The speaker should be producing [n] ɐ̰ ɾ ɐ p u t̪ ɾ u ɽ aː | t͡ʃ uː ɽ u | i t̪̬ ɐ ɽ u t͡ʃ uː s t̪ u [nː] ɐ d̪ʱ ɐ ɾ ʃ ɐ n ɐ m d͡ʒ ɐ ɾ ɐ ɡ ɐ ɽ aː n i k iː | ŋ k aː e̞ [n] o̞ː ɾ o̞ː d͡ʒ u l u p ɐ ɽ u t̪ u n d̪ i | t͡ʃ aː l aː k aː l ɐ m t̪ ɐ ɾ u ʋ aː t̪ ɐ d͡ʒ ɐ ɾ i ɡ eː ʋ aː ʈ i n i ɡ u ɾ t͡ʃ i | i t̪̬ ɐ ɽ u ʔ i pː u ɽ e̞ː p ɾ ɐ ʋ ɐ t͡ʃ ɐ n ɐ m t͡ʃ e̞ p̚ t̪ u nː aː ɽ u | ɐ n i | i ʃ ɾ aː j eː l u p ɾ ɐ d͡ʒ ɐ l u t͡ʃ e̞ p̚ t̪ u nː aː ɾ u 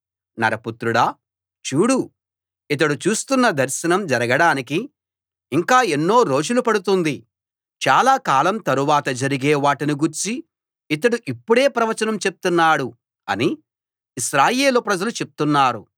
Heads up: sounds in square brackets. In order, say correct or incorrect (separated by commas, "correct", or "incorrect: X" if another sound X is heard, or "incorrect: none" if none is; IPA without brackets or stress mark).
correct, correct, incorrect: nː